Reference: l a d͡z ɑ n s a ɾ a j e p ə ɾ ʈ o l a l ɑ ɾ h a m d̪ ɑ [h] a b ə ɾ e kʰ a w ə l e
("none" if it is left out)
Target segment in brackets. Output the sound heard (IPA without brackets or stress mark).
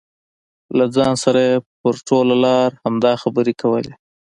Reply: x